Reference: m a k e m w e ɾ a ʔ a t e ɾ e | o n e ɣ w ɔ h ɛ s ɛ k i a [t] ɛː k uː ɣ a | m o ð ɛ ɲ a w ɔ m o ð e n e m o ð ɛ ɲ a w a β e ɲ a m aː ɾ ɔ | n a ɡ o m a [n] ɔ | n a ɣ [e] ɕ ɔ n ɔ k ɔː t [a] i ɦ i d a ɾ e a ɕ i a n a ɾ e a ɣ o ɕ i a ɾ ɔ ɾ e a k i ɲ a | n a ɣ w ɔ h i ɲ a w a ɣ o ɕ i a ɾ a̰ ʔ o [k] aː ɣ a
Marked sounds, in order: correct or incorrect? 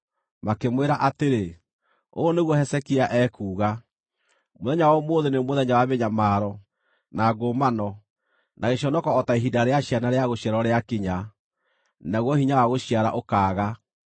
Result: incorrect: ʔ, correct, correct, correct, correct

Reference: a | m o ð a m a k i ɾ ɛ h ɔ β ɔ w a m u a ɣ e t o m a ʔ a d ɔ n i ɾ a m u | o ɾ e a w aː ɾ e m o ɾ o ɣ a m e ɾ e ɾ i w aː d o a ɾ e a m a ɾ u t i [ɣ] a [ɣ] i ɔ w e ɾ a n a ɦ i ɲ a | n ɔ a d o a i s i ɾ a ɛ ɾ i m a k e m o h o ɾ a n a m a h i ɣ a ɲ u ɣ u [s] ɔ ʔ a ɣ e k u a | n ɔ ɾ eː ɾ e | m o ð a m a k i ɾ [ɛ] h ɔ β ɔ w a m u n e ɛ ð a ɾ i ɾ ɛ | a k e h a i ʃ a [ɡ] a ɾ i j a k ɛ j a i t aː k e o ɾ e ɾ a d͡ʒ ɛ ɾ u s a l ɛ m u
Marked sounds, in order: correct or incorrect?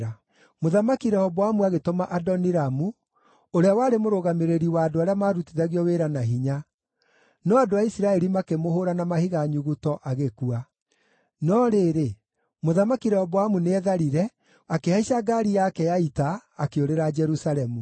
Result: incorrect: ð, correct, incorrect: t, correct, correct

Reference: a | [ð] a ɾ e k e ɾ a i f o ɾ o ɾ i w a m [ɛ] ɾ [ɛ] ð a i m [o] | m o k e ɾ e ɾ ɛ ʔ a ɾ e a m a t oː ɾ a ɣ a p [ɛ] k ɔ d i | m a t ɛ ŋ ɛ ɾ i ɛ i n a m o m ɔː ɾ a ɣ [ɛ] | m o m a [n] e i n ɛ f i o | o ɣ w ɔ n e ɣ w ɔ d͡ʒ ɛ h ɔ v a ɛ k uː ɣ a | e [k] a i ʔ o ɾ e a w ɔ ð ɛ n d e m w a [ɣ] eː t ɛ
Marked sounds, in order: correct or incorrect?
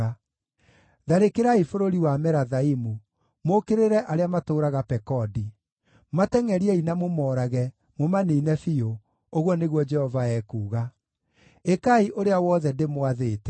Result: correct, correct, incorrect: a, incorrect: u, correct, correct, correct, correct, incorrect: ð

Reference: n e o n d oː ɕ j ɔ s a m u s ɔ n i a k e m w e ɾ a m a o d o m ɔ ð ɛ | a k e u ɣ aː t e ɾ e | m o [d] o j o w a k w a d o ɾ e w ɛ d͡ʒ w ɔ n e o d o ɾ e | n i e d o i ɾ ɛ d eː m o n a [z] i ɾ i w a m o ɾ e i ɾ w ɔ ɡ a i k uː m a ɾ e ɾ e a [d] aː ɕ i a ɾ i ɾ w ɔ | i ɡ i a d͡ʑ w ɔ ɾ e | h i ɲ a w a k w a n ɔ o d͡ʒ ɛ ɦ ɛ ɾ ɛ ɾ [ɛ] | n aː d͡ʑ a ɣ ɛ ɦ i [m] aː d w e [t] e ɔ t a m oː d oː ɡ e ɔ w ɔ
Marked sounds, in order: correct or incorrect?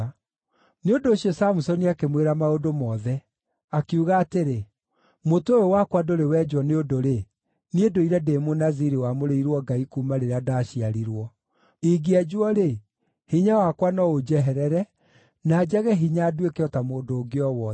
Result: incorrect: t, correct, correct, correct, incorrect: ɲ, incorrect: k

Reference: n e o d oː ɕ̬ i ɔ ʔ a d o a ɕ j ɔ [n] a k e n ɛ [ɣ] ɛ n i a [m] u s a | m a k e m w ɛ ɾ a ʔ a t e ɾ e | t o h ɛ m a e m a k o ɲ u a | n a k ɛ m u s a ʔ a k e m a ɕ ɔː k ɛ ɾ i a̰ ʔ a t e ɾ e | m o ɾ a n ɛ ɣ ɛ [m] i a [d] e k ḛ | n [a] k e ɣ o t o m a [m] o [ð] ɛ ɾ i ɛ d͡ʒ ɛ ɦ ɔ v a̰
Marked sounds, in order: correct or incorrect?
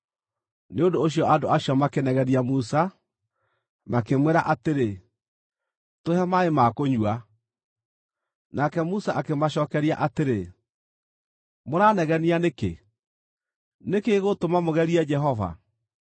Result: incorrect: m, correct, correct, incorrect: n, incorrect: n, incorrect: e, correct, incorrect: ɣ

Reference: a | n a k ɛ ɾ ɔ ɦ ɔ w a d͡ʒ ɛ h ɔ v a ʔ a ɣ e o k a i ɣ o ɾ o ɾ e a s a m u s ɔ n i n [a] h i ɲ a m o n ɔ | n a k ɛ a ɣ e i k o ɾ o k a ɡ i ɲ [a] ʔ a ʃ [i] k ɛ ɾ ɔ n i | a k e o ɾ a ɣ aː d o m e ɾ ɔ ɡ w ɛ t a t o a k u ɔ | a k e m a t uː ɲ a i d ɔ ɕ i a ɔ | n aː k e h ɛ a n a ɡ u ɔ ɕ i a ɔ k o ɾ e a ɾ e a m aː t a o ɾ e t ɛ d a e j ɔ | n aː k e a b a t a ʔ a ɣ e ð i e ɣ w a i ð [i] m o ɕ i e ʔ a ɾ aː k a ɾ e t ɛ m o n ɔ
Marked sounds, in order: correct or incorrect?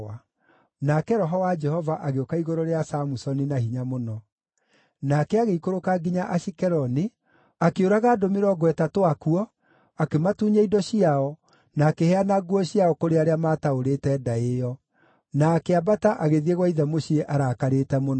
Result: correct, correct, correct, incorrect: ɛ

